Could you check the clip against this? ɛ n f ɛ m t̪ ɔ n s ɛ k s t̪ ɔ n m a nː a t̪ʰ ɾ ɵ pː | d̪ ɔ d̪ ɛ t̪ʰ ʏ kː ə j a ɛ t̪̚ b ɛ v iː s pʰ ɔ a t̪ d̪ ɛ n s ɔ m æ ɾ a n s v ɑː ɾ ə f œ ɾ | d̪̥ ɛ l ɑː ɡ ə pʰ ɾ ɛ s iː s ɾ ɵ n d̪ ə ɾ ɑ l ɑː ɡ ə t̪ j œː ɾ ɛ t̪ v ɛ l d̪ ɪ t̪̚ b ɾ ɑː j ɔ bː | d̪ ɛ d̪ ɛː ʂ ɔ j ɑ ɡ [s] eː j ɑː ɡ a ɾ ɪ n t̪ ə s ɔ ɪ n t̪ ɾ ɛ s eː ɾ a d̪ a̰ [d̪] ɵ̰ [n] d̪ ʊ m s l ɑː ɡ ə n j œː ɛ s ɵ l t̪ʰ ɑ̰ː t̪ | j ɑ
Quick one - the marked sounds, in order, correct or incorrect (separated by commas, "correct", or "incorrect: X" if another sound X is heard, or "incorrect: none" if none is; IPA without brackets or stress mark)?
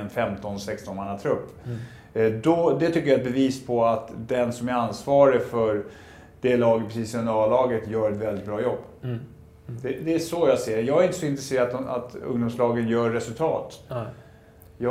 correct, incorrect: t̪, incorrect: ŋ